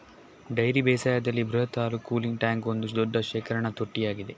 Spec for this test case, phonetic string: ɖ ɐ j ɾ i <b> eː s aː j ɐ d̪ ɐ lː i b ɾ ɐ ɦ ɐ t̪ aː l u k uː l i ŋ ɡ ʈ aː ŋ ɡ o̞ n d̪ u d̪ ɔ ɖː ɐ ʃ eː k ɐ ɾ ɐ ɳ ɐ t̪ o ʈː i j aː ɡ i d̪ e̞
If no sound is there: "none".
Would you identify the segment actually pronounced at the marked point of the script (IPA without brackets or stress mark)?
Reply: b